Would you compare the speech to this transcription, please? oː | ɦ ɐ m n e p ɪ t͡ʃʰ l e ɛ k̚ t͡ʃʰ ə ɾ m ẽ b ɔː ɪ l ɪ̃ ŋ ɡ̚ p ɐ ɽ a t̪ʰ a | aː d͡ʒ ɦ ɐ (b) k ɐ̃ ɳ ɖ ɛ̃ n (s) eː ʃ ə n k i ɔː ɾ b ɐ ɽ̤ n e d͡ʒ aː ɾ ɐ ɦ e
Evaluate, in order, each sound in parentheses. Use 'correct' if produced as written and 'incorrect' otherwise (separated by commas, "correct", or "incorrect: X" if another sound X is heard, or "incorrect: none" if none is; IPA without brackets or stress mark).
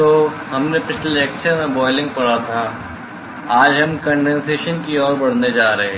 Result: incorrect: m, correct